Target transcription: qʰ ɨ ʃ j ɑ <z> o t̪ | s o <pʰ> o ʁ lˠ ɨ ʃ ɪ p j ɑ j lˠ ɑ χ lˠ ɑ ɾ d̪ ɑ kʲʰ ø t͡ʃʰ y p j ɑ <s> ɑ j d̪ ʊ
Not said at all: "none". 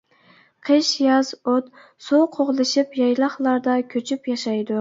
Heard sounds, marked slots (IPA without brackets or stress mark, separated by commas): z, qʰ, ʃ